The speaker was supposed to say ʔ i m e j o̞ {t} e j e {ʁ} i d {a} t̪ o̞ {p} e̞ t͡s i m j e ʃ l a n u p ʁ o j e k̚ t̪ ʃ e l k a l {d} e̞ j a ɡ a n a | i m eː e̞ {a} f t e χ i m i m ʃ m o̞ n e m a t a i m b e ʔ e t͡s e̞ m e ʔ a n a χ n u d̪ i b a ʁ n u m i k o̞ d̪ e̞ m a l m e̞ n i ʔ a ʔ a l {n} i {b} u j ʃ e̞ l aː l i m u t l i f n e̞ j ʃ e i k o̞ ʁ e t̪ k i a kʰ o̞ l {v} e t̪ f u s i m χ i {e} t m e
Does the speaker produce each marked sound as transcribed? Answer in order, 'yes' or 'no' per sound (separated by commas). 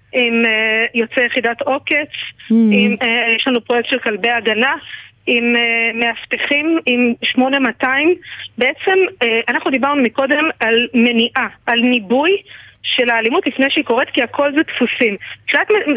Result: no, no, yes, no, no, yes, yes, yes, no, no